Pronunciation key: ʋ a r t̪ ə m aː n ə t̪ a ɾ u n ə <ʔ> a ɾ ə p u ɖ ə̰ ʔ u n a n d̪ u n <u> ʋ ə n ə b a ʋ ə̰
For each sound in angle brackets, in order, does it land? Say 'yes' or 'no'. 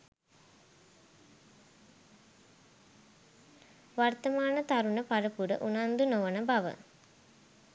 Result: no, no

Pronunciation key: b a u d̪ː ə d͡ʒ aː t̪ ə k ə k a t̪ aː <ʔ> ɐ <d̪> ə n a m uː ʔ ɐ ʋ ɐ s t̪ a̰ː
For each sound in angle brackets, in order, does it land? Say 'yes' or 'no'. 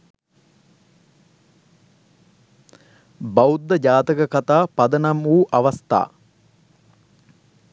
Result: no, yes

